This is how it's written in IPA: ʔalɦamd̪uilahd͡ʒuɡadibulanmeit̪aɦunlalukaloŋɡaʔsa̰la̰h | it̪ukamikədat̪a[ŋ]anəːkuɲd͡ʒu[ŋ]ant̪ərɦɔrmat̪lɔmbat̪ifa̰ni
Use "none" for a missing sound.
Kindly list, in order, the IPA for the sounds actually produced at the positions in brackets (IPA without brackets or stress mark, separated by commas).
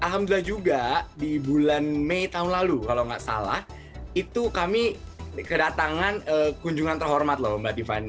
ŋ, ŋ